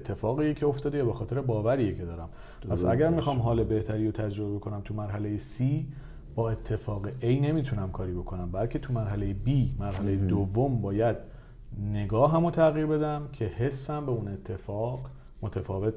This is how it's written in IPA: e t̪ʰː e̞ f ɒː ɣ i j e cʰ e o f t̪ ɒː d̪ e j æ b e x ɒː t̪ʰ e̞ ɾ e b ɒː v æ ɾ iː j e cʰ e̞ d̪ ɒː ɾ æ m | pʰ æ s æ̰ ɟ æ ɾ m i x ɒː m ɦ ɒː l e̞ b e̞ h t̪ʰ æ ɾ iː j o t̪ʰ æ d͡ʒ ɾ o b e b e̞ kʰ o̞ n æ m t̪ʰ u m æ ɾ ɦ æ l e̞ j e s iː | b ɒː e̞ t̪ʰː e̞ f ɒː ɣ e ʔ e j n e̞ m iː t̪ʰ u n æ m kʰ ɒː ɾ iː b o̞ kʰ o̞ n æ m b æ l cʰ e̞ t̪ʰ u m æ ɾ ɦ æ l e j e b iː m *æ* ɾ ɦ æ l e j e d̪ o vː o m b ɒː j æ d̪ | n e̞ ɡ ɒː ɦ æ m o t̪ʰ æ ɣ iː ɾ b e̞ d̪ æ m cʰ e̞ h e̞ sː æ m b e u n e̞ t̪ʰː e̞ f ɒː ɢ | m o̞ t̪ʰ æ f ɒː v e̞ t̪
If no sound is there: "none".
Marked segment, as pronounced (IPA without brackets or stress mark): æ